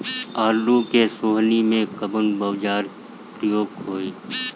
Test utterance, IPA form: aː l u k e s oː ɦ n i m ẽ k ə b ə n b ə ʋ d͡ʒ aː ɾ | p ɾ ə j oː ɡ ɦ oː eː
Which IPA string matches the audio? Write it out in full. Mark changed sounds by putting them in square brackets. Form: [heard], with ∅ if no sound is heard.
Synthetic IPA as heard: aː l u k e s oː ɦ n i m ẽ k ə b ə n b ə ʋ d͡ʒ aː ɾ | p ɾ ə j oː ɡ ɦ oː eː